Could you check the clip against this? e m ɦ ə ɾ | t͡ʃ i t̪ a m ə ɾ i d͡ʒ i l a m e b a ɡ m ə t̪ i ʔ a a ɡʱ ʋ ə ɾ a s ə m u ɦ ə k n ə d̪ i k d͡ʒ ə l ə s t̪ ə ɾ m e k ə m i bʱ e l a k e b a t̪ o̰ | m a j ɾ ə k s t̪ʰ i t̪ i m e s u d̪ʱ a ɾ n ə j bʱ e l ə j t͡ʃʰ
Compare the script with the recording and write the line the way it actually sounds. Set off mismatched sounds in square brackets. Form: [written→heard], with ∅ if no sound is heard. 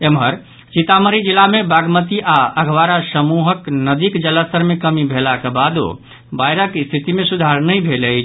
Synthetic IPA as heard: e m ɦ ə ɾ | t͡ʃ i t̪ a m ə ɾ i d͡ʒ i l a m e b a ɡ m ə t̪ i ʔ a [a→ə] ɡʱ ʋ [ə→a] ɾ a s ə m u ɦ ə k n ə d̪ i k d͡ʒ ə l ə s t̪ ə ɾ m e k ə m i bʱ e l a k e b a [t̪→d̪] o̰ | [m→b] a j ɾ ə k s t̪ʰ i t̪ i m e s u d̪ʱ a ɾ n ə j bʱ e l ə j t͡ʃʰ